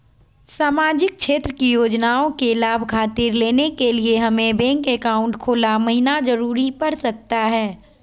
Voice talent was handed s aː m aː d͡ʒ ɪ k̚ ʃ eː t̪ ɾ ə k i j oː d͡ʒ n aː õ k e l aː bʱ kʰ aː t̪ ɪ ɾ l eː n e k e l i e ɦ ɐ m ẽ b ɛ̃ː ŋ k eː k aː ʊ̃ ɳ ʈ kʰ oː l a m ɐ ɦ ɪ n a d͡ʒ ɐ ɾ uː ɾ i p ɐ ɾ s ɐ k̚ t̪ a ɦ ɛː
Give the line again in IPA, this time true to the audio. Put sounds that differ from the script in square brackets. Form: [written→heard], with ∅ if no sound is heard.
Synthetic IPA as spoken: s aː m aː d͡ʒ ɪ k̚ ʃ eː t̪ ɾ ə k i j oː d͡ʒ n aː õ k e l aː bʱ kʰ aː t̪ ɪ ɾ l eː n e k e l i e ɦ ɐ m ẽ b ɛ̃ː ŋ k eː k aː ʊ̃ ɳ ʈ kʰ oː l a m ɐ ɦ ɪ n a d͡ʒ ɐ ɾ uː ɾ i p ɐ ɾ s ɐ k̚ t̪ a ɦ ɛː